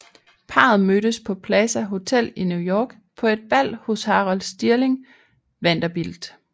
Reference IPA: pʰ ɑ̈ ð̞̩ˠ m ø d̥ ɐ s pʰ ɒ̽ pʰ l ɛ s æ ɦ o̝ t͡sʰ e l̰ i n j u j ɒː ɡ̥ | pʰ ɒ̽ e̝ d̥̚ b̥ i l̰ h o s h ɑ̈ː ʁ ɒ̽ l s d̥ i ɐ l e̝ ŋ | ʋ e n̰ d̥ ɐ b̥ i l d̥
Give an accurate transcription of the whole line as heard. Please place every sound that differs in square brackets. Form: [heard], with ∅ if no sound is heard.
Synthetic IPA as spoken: pʰ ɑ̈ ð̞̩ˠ m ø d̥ [ə] s pʰ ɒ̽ pʰ l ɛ s æ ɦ o̝ t͡sʰ e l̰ i n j u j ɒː ɡ̥ | pʰ ɒ̽ e̝ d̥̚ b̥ [æ] l̰ h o s h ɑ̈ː ʁ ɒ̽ l s d̥ i ɐ l e̝ ŋ | ʋ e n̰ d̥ ɐ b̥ i l d̥